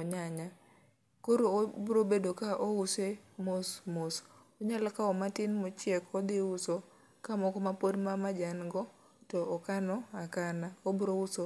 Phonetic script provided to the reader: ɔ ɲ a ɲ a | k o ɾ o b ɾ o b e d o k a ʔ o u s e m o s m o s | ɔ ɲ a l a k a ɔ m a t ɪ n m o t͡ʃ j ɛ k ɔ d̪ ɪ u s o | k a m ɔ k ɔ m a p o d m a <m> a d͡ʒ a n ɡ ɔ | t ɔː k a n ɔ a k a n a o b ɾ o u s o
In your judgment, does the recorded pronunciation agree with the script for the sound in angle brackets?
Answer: yes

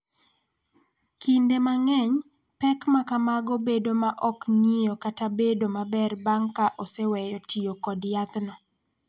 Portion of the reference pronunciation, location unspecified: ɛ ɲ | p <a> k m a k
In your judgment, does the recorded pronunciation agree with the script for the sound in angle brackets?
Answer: no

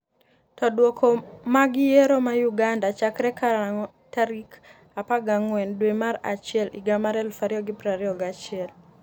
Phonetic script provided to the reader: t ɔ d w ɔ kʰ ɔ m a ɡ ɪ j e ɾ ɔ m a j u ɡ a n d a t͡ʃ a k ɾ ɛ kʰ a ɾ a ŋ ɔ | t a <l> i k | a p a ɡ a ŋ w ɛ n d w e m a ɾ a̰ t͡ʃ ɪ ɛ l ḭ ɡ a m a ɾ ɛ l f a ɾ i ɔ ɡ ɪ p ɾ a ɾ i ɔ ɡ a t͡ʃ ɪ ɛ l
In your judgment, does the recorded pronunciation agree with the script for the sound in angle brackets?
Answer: no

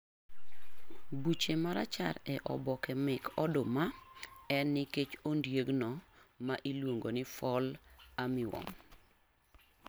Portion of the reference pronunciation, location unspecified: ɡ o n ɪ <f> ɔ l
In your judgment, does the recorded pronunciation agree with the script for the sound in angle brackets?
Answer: yes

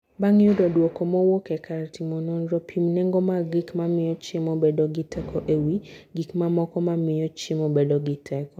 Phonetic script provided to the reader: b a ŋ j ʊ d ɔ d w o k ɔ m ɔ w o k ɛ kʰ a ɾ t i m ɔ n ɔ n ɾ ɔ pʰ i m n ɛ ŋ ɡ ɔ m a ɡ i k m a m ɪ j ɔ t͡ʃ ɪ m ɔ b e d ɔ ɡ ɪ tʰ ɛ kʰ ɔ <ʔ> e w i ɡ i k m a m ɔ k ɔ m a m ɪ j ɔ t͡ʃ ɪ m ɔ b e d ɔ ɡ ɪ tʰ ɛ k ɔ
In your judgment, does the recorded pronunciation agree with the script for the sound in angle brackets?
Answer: yes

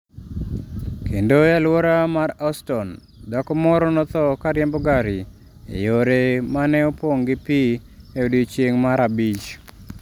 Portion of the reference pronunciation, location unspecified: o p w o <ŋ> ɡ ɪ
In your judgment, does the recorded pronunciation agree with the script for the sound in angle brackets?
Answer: yes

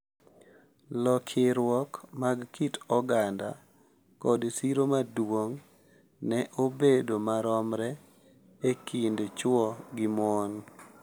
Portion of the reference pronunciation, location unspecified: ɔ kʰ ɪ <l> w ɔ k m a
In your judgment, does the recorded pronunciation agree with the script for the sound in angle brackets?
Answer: no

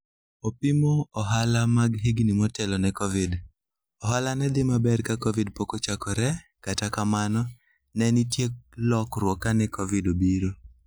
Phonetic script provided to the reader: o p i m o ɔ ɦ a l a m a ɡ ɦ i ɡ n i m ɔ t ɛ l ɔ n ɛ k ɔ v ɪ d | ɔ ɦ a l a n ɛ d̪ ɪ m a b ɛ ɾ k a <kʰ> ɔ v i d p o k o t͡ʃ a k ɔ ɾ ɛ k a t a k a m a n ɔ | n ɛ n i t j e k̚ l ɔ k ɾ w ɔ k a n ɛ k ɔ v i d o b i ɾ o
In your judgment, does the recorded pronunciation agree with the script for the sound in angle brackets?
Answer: no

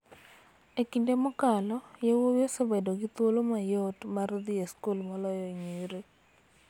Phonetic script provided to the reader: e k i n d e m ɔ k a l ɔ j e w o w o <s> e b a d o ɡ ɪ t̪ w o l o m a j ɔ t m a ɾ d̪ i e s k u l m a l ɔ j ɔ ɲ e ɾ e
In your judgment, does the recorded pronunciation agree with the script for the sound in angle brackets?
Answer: yes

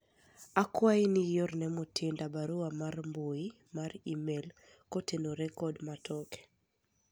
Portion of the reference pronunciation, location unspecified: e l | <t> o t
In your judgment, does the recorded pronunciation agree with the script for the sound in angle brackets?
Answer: no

